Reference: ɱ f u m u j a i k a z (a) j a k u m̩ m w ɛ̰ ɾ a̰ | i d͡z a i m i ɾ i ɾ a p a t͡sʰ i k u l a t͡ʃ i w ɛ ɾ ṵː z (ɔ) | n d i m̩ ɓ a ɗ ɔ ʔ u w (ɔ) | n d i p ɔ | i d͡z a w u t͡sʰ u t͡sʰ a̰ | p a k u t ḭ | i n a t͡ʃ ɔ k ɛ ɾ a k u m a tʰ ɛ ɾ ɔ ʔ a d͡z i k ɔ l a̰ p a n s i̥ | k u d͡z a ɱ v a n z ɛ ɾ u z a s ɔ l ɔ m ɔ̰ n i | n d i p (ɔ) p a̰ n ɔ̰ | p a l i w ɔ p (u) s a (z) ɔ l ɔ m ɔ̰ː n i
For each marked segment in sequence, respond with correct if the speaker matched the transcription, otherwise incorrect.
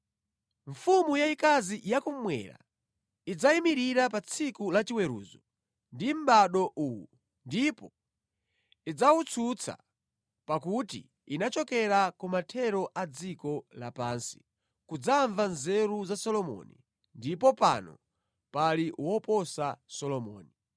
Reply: incorrect: i, correct, incorrect: u, correct, incorrect: ɔ, incorrect: s

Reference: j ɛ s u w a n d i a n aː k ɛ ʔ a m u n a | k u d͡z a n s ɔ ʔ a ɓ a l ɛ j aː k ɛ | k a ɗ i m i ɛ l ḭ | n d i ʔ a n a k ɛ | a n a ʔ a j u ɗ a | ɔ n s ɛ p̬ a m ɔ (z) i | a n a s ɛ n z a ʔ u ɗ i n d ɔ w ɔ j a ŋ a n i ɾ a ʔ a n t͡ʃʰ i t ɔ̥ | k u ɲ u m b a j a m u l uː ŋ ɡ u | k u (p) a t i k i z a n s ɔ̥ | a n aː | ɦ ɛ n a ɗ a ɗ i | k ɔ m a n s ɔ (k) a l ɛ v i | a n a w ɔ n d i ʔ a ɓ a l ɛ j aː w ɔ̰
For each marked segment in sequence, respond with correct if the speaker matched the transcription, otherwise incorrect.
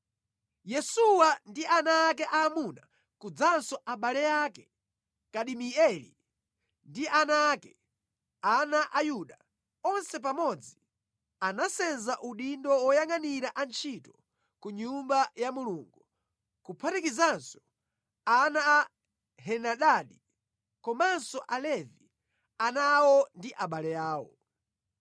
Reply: incorrect: d͡z, incorrect: pʰ, incorrect: ʔ

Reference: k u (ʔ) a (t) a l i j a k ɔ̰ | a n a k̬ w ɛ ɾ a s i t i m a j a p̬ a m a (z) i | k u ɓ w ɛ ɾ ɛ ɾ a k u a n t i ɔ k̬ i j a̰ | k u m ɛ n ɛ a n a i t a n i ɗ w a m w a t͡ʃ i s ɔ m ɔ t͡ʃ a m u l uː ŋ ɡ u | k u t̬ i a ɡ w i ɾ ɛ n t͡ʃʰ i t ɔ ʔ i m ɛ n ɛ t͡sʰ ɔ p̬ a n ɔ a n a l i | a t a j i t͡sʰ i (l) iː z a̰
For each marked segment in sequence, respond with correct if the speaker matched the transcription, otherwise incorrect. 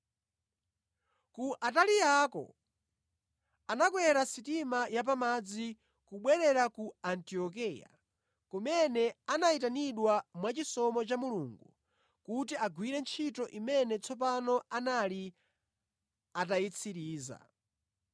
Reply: correct, correct, incorrect: d͡z, incorrect: ɾ

